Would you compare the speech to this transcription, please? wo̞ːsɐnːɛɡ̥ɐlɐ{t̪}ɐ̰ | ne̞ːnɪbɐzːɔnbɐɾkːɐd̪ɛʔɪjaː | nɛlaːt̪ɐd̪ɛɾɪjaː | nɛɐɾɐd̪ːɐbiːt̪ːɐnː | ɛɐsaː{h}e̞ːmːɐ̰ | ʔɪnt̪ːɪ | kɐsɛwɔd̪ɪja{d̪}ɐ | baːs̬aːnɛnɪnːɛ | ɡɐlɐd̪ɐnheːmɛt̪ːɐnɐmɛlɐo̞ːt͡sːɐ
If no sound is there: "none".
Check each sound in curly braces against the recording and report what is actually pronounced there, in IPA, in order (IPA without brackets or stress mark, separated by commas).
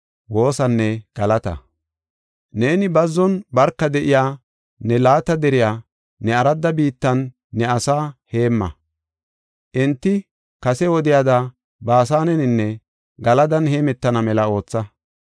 t̪, h, d̪